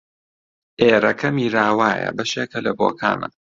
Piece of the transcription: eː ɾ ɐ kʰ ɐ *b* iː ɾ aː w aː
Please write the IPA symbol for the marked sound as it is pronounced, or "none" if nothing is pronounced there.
m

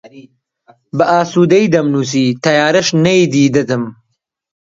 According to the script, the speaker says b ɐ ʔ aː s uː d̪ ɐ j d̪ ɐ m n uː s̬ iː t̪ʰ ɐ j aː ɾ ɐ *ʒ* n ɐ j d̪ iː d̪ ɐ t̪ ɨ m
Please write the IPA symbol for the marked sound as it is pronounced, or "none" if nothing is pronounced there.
ʃ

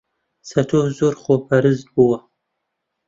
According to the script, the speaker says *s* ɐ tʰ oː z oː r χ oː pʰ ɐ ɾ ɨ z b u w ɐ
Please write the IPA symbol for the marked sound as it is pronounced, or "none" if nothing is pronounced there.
s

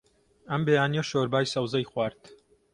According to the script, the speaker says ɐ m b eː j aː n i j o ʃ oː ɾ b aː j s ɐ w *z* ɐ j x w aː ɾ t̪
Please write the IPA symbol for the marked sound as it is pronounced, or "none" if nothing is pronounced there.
z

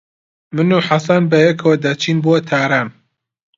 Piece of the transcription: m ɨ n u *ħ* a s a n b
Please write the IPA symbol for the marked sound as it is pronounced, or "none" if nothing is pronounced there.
ħ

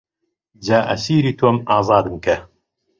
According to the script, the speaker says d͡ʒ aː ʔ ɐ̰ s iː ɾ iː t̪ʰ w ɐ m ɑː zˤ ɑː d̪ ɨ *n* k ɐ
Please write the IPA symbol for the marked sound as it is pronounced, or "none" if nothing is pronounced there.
m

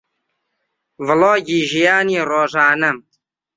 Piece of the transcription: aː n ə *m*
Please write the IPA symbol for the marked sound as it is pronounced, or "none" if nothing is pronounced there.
m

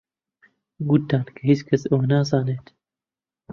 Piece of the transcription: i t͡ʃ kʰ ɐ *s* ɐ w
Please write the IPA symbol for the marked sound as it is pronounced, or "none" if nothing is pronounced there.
s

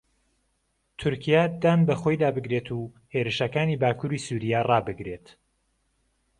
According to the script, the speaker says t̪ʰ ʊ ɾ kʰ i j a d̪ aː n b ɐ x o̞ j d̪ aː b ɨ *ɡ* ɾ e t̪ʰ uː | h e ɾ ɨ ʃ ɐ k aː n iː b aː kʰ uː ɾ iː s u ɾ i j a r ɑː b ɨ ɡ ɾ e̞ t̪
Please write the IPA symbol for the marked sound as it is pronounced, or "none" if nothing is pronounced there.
ɡ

